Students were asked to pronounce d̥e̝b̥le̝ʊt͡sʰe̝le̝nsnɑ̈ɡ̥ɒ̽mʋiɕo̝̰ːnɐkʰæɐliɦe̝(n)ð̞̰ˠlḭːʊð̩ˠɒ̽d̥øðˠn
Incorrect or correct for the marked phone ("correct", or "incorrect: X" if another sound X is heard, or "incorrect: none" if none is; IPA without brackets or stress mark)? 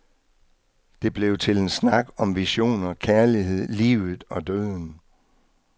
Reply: incorrect: none